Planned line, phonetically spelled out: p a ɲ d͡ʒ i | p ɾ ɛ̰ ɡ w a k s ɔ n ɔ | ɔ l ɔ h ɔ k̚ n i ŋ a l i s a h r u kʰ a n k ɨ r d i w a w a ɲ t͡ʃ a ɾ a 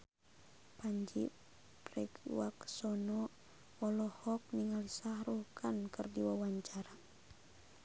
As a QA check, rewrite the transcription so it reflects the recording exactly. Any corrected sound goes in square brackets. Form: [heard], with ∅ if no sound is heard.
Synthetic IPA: p a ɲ d͡ʒ i | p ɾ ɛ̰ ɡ w a k s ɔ n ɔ | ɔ l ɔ h ɔ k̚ n i ŋ a l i s a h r u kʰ a n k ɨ r d i w a w a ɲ t͡ʃ a ɾ a